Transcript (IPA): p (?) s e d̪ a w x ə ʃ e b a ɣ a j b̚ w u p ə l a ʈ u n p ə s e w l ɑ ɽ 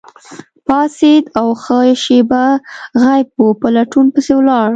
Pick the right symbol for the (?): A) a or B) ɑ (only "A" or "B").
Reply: B